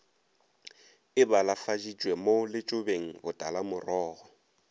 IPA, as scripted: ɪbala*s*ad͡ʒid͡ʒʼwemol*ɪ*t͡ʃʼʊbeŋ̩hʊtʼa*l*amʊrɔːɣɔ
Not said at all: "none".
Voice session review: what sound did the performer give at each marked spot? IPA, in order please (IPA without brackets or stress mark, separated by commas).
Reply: f, ɪ, l